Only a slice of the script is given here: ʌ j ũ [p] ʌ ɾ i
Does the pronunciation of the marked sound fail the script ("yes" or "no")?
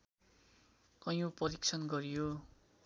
no